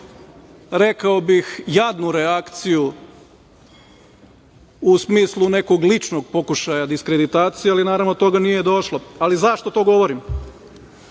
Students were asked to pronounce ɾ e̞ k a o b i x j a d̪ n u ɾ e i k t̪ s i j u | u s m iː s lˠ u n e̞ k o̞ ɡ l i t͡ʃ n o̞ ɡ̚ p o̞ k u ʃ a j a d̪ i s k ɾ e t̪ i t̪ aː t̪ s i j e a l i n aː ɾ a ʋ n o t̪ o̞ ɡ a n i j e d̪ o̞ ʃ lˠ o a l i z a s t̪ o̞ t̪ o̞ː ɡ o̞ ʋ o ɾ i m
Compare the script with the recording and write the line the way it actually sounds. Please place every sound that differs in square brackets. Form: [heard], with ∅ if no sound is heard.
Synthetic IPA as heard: ɾ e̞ k a o b i x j a d̪ n u ɾ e [a] k t̪ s i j u | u s m iː s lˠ u n e̞ k o̞ ɡ l i t͡ʃ n o̞ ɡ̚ p o̞ k u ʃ a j a d̪ i s k ɾ e [d̪] i t̪ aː t̪ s i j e a l i n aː ɾ a ʋ n o t̪ o̞ ɡ a n i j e d̪ o̞ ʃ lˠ o a l i z a [ʃ] t̪ o̞ t̪ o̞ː ɡ o̞ ʋ o ɾ i m